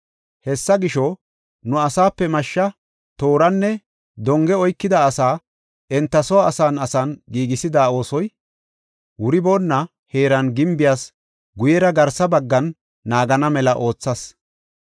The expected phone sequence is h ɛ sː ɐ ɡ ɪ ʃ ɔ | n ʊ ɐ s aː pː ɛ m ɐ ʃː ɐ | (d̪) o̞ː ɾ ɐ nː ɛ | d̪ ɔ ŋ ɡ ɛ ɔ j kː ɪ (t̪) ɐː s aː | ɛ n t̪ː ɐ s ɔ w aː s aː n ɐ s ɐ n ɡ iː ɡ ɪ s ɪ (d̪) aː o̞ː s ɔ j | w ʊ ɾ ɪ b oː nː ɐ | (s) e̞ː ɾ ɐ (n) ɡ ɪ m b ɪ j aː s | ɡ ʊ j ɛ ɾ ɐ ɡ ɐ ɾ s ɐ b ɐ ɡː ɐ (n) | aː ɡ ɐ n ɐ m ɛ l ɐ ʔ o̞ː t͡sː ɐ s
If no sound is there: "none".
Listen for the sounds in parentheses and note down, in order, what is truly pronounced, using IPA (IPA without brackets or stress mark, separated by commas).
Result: t̪, d̪, d̪, h, n, nː